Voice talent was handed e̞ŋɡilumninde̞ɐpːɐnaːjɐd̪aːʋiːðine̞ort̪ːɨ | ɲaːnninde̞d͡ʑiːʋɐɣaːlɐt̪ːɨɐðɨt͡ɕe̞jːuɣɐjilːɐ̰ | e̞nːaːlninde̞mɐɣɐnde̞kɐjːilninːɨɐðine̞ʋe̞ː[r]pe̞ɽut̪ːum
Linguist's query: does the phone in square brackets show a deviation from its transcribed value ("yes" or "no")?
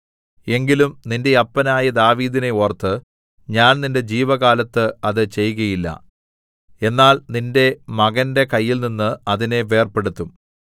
no